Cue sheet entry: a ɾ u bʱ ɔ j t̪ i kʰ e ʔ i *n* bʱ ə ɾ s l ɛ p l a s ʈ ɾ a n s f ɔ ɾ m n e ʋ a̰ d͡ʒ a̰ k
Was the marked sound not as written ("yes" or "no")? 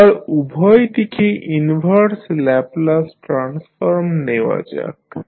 no